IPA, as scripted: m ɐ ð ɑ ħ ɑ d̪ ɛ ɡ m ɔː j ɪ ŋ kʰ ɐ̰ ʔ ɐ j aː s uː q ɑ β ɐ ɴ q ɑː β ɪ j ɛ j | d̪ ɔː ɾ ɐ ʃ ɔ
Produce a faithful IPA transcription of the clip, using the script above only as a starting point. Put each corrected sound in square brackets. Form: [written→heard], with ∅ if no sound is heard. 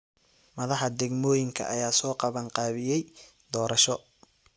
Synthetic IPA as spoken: m ɐ ð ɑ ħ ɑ d̪ ɛ ɡ m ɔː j ɪ ŋ kʰ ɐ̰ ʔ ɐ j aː s [uː→ɔː] q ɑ β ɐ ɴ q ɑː β ɪ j ɛ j | d̪ ɔː ɾ ɐ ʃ ɔ